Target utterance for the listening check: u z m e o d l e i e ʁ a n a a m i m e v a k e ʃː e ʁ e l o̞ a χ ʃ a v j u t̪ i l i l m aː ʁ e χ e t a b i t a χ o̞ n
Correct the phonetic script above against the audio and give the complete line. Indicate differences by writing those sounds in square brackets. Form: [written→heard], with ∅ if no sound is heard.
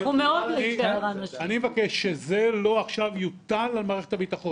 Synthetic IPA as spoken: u [z→∅] m e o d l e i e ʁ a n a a [m→n] i m e v a k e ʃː e [ʁ→z] e l o̞ a χ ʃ a v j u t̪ [i→a] l [i→a] l m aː ʁ e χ e t a b i t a χ o̞ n